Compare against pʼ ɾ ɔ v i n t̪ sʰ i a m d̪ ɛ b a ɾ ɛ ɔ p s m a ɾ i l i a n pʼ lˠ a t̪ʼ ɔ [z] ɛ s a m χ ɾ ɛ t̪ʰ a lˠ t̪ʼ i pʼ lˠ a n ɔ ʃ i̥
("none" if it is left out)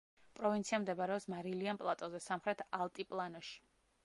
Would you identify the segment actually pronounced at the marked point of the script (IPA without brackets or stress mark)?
z